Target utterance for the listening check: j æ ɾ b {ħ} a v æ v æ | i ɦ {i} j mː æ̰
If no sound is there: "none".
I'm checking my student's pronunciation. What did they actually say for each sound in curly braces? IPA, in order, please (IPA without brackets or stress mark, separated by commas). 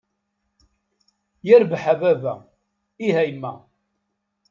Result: ħ, æ